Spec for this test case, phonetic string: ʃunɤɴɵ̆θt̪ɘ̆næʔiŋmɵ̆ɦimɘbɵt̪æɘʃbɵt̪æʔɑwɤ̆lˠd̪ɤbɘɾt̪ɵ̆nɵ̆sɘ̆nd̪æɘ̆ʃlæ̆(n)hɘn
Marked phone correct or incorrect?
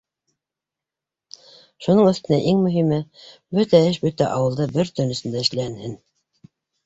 correct